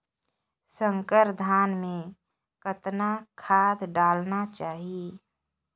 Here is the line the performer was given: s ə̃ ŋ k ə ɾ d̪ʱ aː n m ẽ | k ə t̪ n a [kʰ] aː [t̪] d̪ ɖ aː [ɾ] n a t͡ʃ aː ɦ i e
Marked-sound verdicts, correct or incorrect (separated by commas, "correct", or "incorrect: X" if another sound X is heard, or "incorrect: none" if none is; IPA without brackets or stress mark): correct, incorrect: none, incorrect: l